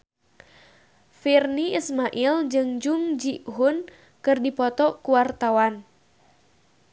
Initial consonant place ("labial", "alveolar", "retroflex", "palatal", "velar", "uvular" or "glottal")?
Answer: labial